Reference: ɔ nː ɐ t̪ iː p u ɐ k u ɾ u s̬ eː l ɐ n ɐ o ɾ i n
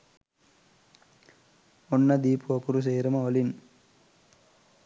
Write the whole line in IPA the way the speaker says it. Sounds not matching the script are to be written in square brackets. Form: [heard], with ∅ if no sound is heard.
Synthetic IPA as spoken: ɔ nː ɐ [d̪] iː p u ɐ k u ɾ u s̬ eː [ɾ] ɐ [m] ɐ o [l] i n